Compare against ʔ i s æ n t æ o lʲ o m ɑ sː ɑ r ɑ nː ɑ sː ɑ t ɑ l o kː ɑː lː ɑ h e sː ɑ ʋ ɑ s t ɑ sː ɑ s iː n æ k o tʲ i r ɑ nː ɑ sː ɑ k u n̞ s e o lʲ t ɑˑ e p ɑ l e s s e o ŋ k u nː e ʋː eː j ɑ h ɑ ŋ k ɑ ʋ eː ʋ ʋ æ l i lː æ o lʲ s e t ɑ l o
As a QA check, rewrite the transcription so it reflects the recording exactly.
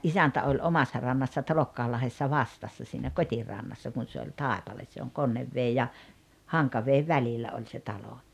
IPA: ʔ i s æ n t æ o lʲ o m ɑ sː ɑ r ɑ nː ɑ sː ɑ t ɑ l o kː ɑː lː ɑ h e sː ɑ ʋ ɑ s t ɑ sː ɑ s iː n æ k o tʲ i r ɑ nː ɑ sː ɑ k u n̞ s e o lʲ t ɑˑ e p ɑ l e s s e o ŋ k o nː e ʋː eː j ɑ h ɑ ŋ k ɑ ʋ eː ʋ ʋ æ l i lː æ o lʲ s e t ɑ l o

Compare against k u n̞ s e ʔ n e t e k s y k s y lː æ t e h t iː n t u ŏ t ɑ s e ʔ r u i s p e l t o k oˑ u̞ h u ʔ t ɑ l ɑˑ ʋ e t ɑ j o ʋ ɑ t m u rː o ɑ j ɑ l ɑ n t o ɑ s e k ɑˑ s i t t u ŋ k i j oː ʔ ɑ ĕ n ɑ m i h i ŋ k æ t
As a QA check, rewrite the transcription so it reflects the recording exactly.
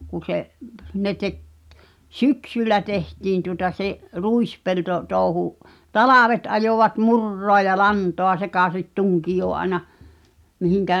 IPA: k u n̞ s e ʔ n e t e k s y k s y lː æ t e h t iː n t u ŏ t ɑ s e ʔ r u i s p e l t o t oˑ u̞ h u ʔ t ɑ l ɑˑ ʋ e t ɑ j o ʋ ɑ t m u rː o ɑ j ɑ l ɑ n t o ɑ s e k ɑˑ s i t t u ŋ k i j oː ʔ ɑ ĕ n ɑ m i h i ŋ k æ ʔ

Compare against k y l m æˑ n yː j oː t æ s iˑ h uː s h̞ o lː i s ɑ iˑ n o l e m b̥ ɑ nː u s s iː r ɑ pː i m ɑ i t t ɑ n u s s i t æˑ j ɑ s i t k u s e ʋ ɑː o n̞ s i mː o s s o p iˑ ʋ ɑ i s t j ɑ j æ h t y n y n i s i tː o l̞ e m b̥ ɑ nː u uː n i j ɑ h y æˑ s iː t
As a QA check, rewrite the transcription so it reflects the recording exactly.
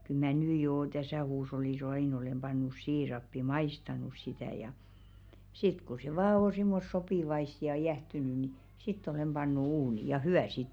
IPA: k y l m æˑ n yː j oː t æ s æˑ h uː s h̞ o lː i s ɑ iˑ n o l e m b̥ ɑ nː u s s iː r ɑ pː i m ɑ i s t ɑ n u s s i t æˑ j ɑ s i t k u s e ʋ ɑː o n̞ s i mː o s s o p iˑ ʋ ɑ i s t j ɑ j æ h t y n y n i s i tː o l̞ e m b̥ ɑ nː u uː n i j ɑ h y æˑ s iː t

